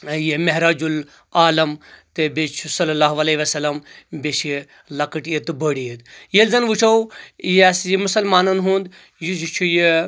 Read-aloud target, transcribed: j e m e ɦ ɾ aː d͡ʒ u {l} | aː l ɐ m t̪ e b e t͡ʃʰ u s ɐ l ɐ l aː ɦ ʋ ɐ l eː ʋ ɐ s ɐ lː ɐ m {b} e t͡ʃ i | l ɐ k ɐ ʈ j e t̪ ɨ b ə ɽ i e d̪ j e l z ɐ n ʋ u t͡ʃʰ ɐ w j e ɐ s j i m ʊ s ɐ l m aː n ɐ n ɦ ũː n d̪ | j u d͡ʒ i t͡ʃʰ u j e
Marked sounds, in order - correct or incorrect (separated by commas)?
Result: correct, correct